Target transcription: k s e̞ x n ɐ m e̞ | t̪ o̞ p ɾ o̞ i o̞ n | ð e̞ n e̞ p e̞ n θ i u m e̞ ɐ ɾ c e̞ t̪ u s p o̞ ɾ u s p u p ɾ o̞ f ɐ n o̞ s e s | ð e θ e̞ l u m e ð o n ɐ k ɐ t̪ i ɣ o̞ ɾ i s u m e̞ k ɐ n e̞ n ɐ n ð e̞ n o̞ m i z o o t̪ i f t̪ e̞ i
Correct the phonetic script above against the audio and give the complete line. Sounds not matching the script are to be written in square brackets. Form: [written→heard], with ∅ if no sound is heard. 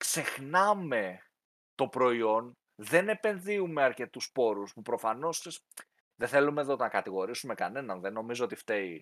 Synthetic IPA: k s e̞ x n ɐ m e̞ | t̪ o̞ p ɾ o̞ i o̞ n | ð e̞ n e̞ p e̞ n [θ→ð] i u m e̞ ɐ ɾ c e̞ t̪ u s p o̞ ɾ u s p u p ɾ o̞ f ɐ n o̞ s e s | ð e θ e̞ l u m e ð o n ɐ k ɐ t̪ i ɣ o̞ ɾ i s u m e̞ k ɐ n e̞ n ɐ n ð e̞ n o̞ m i z o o t̪ i f t̪ e̞ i